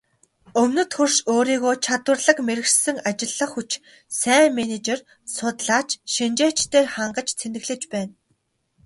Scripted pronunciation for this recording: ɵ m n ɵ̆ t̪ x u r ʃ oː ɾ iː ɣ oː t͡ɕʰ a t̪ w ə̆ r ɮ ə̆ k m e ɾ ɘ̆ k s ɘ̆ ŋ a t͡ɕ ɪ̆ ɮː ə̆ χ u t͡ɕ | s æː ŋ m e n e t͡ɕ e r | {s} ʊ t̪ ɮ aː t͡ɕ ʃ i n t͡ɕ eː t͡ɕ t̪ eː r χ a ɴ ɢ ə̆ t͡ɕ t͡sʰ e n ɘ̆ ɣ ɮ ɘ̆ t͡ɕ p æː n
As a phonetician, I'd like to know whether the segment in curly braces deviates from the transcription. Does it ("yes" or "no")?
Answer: no